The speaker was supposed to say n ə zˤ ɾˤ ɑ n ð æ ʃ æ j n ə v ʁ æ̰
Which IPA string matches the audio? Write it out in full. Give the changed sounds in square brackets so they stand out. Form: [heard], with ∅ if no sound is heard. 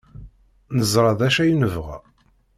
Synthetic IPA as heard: n ə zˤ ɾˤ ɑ [∅] ð æ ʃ æ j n ə v ʁ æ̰